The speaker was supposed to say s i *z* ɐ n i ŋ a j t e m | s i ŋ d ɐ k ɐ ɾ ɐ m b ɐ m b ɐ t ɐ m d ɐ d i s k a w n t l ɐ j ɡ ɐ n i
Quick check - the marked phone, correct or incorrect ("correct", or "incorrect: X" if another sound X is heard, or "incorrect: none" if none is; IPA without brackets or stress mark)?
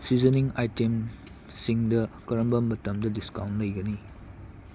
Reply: correct